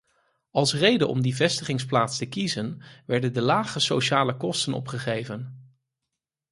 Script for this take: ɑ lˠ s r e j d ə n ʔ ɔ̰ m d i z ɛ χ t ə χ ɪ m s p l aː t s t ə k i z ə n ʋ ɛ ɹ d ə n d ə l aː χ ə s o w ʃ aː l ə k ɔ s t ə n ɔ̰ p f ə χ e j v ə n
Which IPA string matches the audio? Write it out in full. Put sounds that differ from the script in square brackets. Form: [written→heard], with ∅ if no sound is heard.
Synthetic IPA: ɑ lˠ s r e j d ə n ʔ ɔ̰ m d i [z→v] ɛ [χ→s] t ə χ ɪ [m→ŋ] s p l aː t s t ə k i z ə n ʋ ɛ ɹ d ə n d ə l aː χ ə s o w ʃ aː l ə k ɔ s t ə n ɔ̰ p [f→χ] ə χ e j v ə n